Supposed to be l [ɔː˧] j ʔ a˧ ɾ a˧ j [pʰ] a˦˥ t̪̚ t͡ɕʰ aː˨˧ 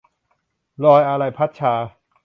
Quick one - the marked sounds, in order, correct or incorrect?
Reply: correct, correct

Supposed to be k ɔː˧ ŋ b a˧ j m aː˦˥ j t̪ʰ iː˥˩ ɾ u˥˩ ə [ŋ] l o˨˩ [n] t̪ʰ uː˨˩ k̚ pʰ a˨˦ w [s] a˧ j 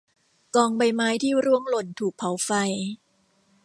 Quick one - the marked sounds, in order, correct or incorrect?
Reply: correct, correct, incorrect

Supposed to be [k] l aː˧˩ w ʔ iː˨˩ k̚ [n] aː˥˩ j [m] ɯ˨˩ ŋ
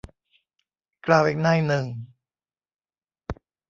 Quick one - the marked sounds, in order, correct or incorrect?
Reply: correct, correct, incorrect

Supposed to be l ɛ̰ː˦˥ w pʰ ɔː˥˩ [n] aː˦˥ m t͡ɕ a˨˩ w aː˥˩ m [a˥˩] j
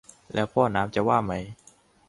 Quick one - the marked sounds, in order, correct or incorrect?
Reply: correct, incorrect

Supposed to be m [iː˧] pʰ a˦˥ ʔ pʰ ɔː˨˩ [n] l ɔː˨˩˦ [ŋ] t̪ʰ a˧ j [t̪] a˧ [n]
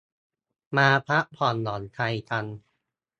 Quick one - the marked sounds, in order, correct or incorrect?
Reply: incorrect, correct, incorrect, incorrect, correct

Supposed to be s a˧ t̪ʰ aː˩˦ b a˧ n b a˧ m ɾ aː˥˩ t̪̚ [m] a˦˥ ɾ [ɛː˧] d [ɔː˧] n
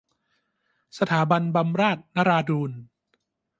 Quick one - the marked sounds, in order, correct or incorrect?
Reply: incorrect, incorrect, incorrect

